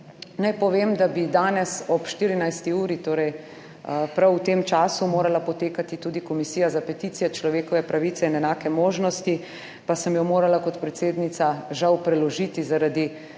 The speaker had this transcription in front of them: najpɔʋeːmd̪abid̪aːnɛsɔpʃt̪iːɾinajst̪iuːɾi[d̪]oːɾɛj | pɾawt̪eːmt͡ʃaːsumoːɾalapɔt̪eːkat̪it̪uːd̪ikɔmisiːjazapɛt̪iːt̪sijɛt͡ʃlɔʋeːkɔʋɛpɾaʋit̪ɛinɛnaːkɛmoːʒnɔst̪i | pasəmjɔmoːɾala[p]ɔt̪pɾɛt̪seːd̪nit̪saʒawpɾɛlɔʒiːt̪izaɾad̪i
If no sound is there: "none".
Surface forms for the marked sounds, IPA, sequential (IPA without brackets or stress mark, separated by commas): t̪, k